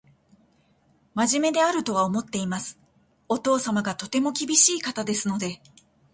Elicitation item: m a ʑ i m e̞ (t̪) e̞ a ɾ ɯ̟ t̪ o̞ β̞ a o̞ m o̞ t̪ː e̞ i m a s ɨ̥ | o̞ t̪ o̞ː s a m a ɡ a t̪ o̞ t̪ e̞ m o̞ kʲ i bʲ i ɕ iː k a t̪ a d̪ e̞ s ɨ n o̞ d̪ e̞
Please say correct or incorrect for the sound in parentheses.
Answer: incorrect: d̪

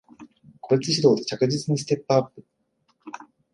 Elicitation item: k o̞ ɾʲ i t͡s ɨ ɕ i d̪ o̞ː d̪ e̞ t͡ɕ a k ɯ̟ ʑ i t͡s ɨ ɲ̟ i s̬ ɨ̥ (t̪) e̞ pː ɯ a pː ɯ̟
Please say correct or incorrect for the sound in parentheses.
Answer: correct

